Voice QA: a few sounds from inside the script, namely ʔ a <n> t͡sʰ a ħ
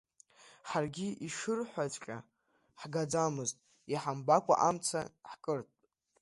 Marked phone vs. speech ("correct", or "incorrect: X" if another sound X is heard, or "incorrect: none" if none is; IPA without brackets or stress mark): incorrect: m